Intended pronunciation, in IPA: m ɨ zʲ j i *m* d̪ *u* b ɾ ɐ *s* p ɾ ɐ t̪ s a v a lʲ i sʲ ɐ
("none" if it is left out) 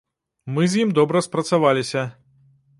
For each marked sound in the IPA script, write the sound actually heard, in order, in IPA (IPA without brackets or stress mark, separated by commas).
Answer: m, ɔ, s